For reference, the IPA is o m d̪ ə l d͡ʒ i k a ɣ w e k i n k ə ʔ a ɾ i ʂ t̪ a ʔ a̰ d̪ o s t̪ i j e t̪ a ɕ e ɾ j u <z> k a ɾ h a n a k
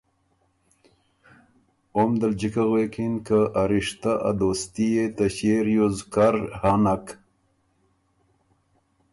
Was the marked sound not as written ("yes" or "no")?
no